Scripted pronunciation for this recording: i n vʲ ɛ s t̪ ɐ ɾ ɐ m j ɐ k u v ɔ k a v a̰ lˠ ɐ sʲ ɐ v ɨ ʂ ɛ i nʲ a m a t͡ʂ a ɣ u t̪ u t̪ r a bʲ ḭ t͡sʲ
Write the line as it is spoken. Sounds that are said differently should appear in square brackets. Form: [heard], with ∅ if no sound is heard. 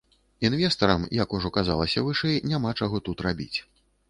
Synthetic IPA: i n vʲ ɛ s t̪ ɐ ɾ ɐ m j ɐ k u [ʐ] ɔ k a [z] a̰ lˠ ɐ sʲ ɐ v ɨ ʂ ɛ [j] nʲ a m a t͡ʂ a ɣ [ɔ] t̪ u t̪ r a bʲ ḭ t͡sʲ